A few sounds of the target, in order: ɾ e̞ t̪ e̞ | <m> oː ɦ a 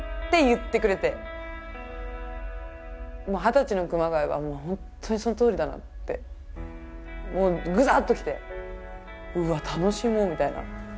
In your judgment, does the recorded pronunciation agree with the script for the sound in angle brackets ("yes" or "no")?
yes